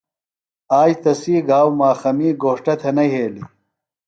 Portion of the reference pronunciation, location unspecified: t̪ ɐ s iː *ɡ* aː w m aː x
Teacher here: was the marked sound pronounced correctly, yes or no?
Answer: yes